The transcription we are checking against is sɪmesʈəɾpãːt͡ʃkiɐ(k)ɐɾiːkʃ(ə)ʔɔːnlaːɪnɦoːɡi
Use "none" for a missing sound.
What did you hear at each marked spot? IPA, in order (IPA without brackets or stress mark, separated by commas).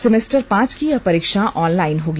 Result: p, a